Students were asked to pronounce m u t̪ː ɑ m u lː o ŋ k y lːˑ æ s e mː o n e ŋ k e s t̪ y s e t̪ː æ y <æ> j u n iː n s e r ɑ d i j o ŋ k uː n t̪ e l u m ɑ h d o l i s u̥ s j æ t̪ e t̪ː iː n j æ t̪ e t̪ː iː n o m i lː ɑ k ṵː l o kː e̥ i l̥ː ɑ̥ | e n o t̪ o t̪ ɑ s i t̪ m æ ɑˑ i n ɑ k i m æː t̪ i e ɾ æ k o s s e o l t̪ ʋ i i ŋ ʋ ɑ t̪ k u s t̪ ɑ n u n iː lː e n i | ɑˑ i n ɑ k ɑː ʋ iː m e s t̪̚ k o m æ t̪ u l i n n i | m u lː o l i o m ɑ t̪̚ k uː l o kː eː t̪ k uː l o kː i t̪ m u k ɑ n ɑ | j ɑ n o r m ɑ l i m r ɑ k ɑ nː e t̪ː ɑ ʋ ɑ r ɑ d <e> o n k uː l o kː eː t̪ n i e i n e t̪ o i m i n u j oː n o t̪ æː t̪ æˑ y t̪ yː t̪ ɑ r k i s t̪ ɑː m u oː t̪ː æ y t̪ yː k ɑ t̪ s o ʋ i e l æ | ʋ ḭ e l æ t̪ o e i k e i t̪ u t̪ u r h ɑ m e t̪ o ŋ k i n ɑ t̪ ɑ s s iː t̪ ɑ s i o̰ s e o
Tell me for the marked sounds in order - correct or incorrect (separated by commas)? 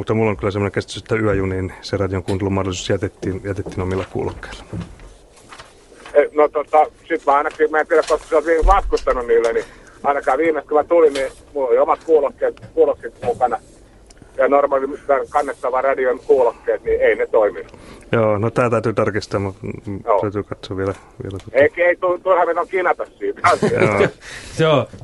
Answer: correct, incorrect